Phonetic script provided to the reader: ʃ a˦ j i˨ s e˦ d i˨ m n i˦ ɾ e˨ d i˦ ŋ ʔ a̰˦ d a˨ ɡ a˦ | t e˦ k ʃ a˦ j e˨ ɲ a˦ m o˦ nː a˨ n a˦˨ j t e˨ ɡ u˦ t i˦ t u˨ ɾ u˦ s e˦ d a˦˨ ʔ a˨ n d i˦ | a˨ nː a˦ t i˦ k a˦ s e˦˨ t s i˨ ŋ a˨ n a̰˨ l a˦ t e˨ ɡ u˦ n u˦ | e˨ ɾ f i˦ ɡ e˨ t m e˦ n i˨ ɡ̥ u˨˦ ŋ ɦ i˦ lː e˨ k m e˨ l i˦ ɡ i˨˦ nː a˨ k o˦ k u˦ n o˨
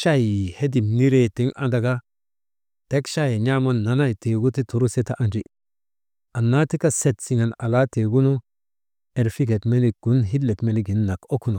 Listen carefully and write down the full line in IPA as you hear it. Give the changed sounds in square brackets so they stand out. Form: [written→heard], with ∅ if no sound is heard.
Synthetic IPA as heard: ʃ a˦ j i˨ [s→h] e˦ d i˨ m n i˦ ɾ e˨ [d→t] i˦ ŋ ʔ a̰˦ d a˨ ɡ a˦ | t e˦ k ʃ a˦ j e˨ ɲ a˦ m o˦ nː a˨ n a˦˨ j t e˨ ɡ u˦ t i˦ t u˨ ɾ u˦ s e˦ [d→t] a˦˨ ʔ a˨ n [d→d͡ʒ] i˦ | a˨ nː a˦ t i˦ k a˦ s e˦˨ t s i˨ ŋ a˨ n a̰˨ l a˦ t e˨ ɡ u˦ n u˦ | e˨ ɾ f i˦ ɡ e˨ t m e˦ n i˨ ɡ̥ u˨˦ [ŋ→n] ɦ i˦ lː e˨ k m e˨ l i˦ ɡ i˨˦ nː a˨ k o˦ k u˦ n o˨

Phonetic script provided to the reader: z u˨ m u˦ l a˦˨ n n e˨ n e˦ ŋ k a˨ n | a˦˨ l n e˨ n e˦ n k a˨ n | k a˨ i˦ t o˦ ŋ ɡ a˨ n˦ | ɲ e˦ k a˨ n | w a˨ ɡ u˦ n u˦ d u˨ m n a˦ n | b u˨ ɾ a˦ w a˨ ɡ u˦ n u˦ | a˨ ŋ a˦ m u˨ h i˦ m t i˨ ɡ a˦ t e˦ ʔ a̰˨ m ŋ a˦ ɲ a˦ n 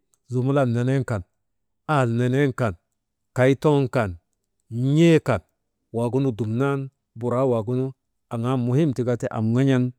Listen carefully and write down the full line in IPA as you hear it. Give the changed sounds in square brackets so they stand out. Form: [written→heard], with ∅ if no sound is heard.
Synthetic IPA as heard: z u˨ m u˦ l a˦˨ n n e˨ n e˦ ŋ k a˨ n | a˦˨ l n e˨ n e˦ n k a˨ n | k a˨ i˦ t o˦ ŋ [ɡ→k] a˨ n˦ | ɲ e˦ k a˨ n | w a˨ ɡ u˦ n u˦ d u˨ m n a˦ n | b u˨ ɾ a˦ w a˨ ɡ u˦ n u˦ | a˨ ŋ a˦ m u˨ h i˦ m t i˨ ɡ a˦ t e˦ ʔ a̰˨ m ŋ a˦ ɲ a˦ n

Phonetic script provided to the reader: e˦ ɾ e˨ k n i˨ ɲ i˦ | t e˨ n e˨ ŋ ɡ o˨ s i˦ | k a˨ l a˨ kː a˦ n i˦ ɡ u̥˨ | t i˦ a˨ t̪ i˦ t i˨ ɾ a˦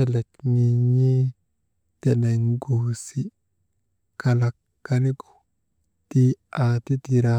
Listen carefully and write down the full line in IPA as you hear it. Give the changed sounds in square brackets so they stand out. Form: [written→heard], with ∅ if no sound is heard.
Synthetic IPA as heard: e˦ [ɾ→l] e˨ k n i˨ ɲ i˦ | t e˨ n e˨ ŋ ɡ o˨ s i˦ | k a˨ l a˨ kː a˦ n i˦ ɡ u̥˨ | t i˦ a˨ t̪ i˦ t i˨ ɾ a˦

